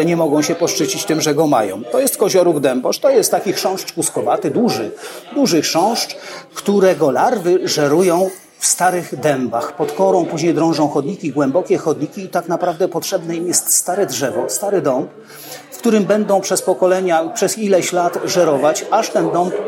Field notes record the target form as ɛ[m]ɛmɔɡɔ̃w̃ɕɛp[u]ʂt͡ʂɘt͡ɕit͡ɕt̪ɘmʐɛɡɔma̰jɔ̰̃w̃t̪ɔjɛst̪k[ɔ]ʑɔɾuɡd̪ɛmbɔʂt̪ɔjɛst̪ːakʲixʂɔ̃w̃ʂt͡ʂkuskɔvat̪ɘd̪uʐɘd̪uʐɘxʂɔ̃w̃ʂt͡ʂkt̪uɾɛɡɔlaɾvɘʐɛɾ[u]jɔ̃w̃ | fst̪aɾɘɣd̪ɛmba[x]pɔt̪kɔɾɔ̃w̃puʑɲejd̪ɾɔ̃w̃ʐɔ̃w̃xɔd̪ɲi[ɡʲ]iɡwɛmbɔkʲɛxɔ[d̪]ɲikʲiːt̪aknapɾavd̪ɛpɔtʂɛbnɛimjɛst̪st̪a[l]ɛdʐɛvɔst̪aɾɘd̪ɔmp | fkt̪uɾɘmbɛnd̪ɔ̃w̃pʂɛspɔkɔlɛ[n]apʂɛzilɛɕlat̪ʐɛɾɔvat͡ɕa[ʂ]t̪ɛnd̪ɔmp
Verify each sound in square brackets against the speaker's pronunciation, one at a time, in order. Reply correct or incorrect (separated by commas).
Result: incorrect, incorrect, correct, correct, correct, incorrect, correct, incorrect, incorrect, correct